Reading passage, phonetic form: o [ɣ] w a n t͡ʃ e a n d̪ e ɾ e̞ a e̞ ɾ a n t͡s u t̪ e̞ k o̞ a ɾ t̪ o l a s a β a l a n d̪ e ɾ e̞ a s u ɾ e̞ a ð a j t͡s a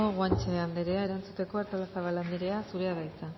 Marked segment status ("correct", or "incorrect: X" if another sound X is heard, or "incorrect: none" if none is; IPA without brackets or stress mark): correct